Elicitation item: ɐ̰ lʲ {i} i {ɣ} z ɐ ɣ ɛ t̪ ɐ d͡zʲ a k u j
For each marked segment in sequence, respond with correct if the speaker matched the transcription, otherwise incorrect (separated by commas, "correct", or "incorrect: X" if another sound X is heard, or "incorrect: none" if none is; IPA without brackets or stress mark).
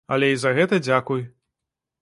incorrect: ɛ, incorrect: none